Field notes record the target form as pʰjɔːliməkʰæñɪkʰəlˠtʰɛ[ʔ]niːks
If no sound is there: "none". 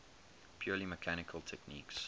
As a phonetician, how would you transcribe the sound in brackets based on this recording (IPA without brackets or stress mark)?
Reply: k